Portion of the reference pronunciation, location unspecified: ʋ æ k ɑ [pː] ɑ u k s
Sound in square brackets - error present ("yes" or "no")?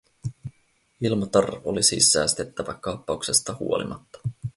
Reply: no